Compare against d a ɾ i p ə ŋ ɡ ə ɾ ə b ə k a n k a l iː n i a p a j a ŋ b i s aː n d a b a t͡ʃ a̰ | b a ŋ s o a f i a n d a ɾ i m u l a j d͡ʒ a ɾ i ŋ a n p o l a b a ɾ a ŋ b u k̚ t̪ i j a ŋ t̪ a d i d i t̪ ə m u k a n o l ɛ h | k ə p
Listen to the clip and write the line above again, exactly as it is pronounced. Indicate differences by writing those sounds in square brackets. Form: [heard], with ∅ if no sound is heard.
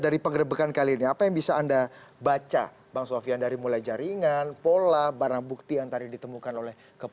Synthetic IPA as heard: d a ɾ i p ə ŋ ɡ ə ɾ ə b ə k a n k a l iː n i a p a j a ŋ b i s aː n d a b a t͡ʃ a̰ | b a ŋ s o a f i a n d a ɾ i m u l a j d͡ʒ a ɾ i ŋ a n p o l a b a ɾ a ŋ b u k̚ t̪ i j a ŋ t̪ a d i d i t̪ ə m u k a n o l ɛ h | k ə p